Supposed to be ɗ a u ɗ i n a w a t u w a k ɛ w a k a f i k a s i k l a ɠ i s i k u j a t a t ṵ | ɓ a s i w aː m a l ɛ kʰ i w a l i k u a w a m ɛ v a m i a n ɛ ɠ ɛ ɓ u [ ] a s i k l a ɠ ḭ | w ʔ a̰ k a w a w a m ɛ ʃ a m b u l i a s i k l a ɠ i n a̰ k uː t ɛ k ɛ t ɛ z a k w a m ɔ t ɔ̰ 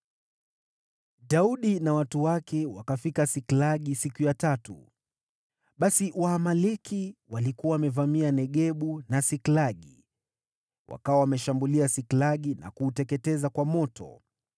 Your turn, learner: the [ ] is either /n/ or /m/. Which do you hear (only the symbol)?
n